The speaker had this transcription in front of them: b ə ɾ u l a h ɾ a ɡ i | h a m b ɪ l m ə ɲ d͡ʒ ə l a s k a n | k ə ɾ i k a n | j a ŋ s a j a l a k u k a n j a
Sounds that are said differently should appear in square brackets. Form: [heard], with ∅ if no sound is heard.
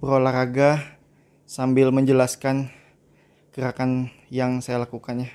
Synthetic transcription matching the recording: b ə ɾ [o] l a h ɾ a ɡ [a] | [s] a m b ɪ l m ə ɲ d͡ʒ ə l a s k a n | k ə ɾ [a] k a n | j a ŋ s a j a l a k u k a n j a